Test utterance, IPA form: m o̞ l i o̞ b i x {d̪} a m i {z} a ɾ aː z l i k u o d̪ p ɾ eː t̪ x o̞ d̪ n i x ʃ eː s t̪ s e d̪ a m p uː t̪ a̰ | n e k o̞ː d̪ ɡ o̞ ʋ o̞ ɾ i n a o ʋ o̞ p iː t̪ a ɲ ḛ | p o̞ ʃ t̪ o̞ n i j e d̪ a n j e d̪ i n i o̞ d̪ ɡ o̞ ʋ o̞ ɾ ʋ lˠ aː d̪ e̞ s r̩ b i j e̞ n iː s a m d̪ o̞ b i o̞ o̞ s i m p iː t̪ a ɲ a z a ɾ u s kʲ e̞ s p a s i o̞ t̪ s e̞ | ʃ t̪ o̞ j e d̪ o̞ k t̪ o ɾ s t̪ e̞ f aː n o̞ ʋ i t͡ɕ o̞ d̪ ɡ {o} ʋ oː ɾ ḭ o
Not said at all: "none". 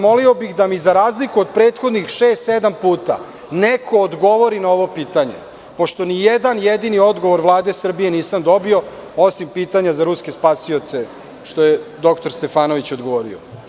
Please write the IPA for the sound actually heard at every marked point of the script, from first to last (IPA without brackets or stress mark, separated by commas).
d̪, z, o